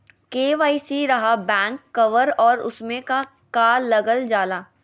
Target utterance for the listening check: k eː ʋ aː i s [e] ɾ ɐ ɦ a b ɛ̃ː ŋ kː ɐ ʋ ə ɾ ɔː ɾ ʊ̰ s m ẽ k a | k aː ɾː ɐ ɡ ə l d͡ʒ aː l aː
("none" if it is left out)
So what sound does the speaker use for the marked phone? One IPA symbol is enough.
i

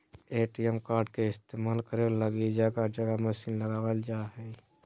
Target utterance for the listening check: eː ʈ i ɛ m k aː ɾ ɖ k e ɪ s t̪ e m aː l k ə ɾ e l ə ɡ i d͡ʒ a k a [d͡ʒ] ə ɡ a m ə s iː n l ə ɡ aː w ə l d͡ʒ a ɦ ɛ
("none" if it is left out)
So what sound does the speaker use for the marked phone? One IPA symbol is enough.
d͡ʒ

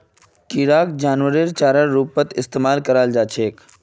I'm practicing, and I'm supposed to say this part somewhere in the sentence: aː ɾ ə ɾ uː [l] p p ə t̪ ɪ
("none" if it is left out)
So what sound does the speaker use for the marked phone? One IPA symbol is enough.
none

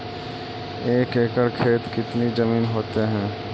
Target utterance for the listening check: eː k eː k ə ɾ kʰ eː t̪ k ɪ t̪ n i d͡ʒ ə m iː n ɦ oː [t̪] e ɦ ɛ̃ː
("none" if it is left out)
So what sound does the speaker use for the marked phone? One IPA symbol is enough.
t̪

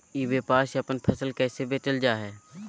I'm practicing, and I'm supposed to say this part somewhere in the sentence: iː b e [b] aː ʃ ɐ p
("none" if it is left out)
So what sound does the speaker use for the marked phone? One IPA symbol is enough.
p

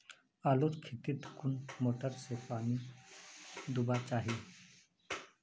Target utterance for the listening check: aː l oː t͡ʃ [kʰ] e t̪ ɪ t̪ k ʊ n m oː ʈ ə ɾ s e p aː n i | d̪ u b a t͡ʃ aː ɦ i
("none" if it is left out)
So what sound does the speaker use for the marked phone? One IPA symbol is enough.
kʰ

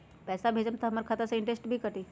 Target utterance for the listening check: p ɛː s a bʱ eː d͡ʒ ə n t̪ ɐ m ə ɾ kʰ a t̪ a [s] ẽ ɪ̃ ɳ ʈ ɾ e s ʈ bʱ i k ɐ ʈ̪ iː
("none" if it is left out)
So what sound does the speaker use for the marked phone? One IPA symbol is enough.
s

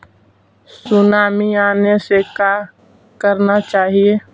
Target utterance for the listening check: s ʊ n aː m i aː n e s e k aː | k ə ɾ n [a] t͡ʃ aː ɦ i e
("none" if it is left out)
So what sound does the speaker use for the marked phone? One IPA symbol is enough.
a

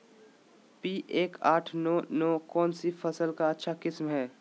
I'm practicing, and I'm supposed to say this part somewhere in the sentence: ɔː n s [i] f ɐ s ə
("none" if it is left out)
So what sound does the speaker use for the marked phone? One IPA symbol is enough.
i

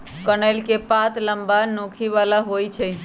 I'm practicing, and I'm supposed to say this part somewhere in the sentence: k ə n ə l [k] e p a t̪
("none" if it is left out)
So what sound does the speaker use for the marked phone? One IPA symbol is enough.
k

